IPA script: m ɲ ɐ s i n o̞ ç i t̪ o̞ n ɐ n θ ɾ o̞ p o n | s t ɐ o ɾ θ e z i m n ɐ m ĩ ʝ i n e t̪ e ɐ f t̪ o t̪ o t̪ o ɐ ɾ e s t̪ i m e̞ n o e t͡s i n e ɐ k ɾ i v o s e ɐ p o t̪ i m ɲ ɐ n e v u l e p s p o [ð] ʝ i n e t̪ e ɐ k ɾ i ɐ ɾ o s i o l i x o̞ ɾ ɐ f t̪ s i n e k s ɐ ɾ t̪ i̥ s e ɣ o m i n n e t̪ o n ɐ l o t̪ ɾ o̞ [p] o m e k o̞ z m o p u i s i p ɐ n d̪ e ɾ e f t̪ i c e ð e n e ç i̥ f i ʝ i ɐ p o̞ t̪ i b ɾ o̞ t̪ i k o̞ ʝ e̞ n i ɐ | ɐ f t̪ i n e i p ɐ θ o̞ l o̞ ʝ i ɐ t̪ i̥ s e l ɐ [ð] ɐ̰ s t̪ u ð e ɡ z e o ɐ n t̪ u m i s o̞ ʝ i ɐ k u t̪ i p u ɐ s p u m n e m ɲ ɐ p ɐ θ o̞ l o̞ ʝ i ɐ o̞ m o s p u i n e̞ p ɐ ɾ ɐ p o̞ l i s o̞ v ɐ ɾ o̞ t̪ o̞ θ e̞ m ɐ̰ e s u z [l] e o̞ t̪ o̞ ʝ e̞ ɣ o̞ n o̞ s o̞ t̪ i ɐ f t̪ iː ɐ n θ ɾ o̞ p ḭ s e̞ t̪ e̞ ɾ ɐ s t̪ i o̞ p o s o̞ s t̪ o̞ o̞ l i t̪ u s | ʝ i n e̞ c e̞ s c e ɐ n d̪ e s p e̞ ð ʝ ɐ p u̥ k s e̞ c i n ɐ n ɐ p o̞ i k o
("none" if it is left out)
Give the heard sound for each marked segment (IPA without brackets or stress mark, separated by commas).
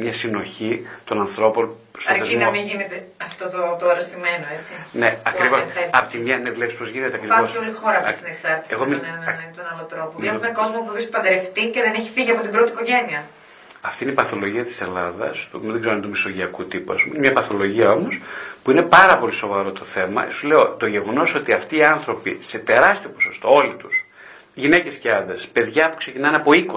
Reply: z, p, ð, l